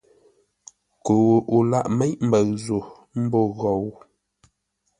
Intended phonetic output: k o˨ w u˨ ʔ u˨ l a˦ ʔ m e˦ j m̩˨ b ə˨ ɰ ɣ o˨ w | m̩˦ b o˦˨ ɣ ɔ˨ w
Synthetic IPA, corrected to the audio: k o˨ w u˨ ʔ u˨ l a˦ ʔ m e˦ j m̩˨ b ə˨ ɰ z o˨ | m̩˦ b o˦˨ ɣ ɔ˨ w